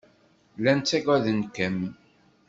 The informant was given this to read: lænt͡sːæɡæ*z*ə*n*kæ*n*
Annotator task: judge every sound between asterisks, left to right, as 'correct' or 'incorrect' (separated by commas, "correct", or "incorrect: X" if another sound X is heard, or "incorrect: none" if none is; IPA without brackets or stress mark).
incorrect: ð, correct, incorrect: m